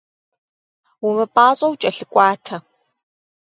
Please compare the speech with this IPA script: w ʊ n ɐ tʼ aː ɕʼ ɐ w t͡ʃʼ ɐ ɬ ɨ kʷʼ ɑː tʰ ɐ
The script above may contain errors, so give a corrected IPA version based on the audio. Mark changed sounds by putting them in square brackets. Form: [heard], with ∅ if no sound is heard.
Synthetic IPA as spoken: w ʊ [m] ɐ [pʼ] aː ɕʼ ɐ w t͡ʃʼ ɐ ɬ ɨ kʷʼ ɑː tʰ ɐ